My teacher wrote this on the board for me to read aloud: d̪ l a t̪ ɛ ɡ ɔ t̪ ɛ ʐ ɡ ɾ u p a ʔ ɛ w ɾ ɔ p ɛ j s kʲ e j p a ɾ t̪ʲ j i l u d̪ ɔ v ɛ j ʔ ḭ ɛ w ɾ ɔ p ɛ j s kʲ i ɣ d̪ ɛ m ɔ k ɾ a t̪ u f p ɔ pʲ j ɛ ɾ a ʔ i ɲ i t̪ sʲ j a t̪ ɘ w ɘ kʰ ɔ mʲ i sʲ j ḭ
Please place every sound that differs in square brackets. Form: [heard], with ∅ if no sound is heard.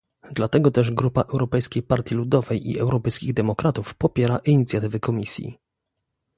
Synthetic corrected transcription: d̪ l a t̪ ɛ ɡ ɔ t̪ ɛ ʐ ɡ ɾ u p a ʔ ɛ w ɾ ɔ p ɛ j s kʲ e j p a ɾ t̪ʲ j i l u d̪ ɔ v ɛ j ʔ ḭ ɛ w ɾ ɔ p ɛ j s kʲ i ɣ d̪ ɛ m ɔ k ɾ a t̪ u f p ɔ pʲ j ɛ ɾ a ʔ i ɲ i t̪ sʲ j a t̪ ɘ [v] ɘ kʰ ɔ mʲ i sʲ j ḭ

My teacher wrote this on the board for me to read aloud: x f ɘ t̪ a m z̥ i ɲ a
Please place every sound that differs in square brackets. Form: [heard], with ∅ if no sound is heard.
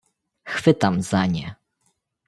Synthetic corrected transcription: x f ɘ t̪ a m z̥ [a] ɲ [ɛ]

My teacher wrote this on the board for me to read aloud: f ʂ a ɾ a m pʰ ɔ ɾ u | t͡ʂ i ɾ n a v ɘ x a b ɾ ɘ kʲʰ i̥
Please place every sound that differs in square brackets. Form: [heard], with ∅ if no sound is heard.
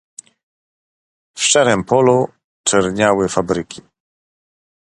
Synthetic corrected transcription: f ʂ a ɾ [ɛ] m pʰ ɔ [l] u | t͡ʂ [ɛ] ɾ [ɲ] a [w] ɘ [f] a b ɾ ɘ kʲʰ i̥

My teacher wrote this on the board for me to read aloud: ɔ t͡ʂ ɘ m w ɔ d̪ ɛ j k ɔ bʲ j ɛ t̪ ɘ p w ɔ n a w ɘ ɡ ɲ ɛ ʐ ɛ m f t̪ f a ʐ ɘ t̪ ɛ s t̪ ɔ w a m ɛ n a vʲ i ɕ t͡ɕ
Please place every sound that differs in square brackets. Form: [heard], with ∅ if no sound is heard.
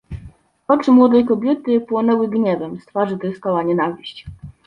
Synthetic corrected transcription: ɔ t͡ʂ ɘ m w ɔ d̪ ɛ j k ɔ bʲ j ɛ t̪ ɘ p w ɔ n [ɛ] w ɘ ɡ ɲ ɛ [v] ɛ m [s] t̪ f a ʐ ɘ t̪ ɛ s t̪ ɔ w a [ɲ] ɛ n a vʲ i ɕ t͡ɕ

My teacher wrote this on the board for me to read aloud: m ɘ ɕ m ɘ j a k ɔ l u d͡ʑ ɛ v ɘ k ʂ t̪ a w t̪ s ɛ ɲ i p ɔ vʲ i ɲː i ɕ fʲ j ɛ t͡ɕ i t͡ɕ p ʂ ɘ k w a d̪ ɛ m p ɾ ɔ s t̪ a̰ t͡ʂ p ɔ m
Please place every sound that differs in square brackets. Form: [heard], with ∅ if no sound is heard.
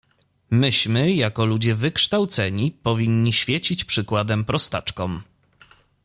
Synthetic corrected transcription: m ɘ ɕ m ɘ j a k ɔ l u d͡ʑ ɛ v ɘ k ʂ t̪ a w t̪ s ɛ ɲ i p ɔ vʲ i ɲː i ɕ fʲ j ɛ t͡ɕ i t͡ɕ p ʂ ɘ k w a d̪ ɛ m p ɾ ɔ s t̪ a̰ t͡ʂ [k] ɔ m

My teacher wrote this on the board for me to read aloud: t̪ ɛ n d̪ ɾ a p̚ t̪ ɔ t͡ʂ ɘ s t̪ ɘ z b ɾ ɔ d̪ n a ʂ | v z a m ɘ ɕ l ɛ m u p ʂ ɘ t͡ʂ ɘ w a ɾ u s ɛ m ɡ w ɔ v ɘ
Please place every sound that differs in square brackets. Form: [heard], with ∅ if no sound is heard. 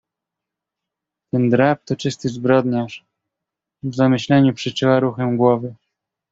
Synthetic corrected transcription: t̪ ɛ n d̪ ɾ a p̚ t̪ ɔ t͡ʂ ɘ s t̪ ɘ z b ɾ ɔ d̪ [ɲ] a ʂ | v z a m ɘ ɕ l ɛ [ɲ] u p ʂ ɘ t͡ʂ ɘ w a ɾ u [x] ɛ m ɡ w ɔ v ɘ

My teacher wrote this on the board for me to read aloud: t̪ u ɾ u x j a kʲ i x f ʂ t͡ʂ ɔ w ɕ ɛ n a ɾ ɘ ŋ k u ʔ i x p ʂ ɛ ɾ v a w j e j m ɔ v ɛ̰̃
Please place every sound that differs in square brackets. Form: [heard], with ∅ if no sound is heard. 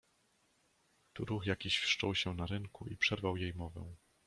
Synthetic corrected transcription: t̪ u ɾ u x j a kʲ i [ɕ] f ʂ t͡ʂ ɔ w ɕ ɛ n a ɾ ɘ ŋ k u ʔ i [∅] p ʂ ɛ ɾ v a w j e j m ɔ v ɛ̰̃

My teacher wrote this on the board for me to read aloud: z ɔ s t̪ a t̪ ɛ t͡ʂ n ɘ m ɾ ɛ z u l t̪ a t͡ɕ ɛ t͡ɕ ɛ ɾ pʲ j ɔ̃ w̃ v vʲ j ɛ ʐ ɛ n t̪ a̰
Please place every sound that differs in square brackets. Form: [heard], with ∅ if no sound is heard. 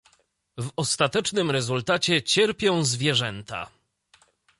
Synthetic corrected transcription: [v] ɔ s t̪ a t̪ ɛ t͡ʂ n ɘ m ɾ ɛ z u l t̪ a t͡ɕ ɛ t͡ɕ ɛ ɾ pʲ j ɔ̃ w̃ [z] vʲ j ɛ ʐ ɛ n t̪ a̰

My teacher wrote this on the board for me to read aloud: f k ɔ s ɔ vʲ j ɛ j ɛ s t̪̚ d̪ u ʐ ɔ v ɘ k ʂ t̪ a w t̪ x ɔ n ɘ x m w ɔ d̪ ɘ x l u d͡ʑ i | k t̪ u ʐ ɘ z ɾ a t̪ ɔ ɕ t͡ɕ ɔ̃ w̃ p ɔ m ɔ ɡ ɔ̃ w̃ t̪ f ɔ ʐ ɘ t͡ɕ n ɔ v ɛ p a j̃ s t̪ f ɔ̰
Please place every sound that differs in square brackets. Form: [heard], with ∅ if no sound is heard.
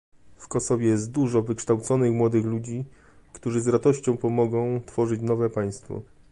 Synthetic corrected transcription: f k ɔ s ɔ vʲ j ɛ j ɛ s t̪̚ d̪ u ʐ ɔ v ɘ k ʂ t̪ a w t̪ [s] ɔ n ɘ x m w ɔ d̪ ɘ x l u d͡ʑ i | k t̪ u ʐ ɘ z ɾ a t̪ ɔ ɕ t͡ɕ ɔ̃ w̃ p ɔ m ɔ ɡ ɔ̃ w̃ t̪ f ɔ ʐ ɘ t͡ɕ n ɔ v ɛ p a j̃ s t̪ f ɔ̰

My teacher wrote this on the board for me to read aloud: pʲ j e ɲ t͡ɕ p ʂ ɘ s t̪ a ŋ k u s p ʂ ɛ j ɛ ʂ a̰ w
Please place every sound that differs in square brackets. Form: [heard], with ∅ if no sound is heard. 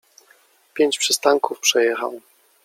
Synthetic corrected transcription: pʲ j e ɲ t͡ɕ p ʂ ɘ s t̪ a ŋ k u [f] p ʂ ɛ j ɛ [x] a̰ w

